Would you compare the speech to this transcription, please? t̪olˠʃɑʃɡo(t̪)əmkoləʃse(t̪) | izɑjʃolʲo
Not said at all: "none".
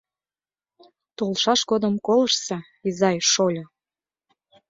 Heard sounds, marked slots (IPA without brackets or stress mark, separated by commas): d̪, none